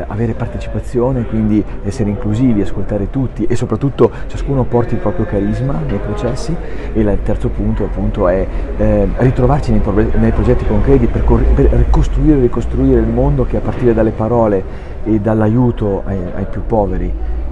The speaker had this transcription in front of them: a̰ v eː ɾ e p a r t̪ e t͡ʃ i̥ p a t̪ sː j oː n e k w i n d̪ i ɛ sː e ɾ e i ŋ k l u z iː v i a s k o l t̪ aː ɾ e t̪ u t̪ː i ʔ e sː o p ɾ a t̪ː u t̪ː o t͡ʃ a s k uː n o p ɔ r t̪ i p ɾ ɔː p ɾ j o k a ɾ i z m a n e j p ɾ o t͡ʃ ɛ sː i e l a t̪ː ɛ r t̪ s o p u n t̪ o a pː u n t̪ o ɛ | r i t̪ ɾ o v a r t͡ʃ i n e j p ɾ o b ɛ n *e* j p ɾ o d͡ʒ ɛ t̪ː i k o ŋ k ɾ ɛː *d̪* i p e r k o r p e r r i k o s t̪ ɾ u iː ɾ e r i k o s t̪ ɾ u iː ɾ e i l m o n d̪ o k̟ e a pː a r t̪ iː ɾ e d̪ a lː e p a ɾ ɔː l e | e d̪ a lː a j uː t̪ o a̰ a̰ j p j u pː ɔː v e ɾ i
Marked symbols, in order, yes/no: yes, no

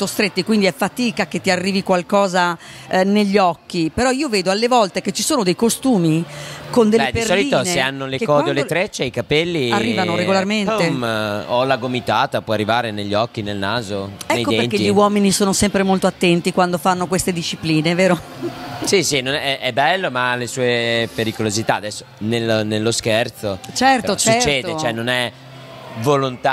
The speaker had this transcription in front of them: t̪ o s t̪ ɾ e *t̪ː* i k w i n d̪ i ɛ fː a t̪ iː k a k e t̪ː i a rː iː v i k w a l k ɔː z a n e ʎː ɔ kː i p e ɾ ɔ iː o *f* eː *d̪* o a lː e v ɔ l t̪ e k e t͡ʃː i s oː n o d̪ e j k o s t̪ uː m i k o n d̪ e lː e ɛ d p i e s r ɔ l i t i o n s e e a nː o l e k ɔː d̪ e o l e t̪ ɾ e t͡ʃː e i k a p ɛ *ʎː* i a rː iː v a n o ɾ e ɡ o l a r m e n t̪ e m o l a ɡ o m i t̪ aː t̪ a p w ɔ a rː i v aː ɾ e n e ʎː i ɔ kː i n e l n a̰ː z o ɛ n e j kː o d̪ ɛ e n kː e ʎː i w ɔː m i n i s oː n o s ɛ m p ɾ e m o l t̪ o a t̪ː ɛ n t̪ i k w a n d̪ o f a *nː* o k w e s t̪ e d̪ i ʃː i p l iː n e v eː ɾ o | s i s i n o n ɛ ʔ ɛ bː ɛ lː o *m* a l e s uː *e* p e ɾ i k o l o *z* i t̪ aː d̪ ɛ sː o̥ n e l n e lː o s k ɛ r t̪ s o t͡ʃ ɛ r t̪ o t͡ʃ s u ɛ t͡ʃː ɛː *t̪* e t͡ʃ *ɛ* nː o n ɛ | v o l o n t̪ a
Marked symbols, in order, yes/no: yes, no, yes, no, yes, yes, yes, yes, no, yes

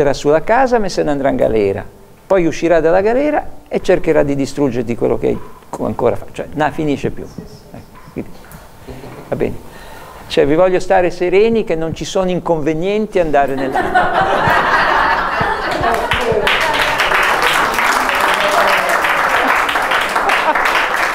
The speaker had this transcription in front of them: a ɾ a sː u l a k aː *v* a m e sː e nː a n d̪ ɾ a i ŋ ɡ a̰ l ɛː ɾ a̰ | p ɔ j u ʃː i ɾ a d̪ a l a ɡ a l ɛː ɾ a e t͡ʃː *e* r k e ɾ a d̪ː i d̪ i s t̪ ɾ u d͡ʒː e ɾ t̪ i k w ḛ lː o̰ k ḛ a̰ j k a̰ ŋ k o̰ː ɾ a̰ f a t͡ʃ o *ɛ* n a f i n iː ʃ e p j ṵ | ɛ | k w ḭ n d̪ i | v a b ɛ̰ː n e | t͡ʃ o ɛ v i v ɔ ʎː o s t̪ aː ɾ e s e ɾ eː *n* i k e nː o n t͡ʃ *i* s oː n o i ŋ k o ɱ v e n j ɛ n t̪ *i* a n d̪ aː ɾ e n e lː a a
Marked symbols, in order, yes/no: no, yes, yes, yes, yes, yes

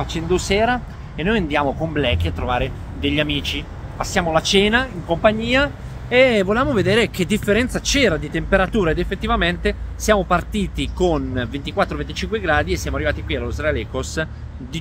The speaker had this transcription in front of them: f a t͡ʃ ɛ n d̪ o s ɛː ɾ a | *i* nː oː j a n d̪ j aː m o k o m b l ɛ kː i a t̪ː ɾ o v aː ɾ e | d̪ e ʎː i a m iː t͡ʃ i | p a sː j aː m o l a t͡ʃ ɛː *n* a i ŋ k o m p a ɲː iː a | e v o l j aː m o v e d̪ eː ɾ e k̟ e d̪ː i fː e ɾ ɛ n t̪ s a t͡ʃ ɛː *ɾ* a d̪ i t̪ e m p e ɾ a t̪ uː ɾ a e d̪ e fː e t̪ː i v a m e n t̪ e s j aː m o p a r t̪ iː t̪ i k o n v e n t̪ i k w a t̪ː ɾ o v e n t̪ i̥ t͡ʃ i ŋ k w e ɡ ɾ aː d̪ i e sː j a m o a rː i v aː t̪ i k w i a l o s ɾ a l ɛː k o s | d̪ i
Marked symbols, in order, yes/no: no, yes, yes

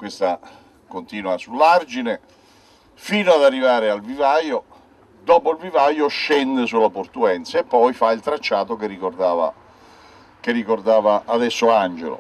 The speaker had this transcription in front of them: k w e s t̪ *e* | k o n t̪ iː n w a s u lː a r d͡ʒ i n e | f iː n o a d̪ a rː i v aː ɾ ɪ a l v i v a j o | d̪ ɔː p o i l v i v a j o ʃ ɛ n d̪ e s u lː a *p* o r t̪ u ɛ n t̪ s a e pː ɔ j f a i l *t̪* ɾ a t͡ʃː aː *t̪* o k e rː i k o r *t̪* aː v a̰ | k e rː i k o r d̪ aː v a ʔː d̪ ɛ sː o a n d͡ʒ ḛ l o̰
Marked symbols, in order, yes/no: no, yes, yes, yes, no

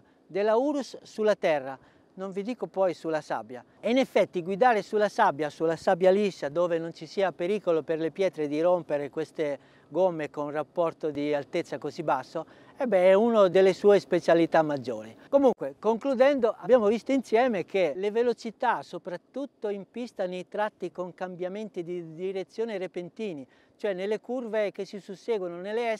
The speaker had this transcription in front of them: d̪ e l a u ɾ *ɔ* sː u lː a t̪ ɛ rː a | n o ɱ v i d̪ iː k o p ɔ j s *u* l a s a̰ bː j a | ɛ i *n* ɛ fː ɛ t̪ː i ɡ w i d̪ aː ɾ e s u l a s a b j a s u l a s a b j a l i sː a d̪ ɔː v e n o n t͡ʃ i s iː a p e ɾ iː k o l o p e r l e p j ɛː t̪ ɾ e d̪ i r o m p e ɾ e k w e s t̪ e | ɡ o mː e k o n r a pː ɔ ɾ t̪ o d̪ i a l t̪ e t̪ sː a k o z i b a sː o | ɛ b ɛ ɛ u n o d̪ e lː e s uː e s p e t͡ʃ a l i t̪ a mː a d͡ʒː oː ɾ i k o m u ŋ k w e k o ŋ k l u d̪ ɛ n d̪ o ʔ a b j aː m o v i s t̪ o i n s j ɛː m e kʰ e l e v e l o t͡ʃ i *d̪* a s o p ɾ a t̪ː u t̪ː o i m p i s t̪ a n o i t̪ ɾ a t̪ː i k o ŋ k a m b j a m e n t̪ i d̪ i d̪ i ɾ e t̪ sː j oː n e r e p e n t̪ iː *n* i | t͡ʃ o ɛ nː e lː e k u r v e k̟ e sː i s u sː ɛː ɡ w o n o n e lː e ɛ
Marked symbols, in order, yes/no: no, yes, yes, no, yes

